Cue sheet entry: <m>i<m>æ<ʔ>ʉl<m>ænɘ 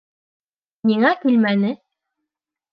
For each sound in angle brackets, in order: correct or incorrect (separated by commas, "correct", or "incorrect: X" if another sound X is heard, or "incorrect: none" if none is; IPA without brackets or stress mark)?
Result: incorrect: n, incorrect: ŋ, incorrect: k, correct